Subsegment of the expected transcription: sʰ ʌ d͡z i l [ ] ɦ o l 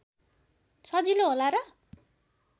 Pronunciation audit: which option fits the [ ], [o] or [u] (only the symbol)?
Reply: o